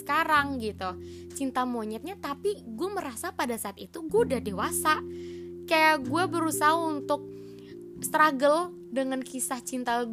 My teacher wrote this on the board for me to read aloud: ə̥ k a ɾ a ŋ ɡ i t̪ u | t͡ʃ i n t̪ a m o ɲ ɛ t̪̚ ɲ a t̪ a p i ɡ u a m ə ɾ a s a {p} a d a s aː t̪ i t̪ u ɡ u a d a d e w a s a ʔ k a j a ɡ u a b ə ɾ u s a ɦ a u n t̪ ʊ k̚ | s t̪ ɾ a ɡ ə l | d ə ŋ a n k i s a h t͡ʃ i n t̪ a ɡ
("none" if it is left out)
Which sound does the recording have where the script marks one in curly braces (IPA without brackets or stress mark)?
p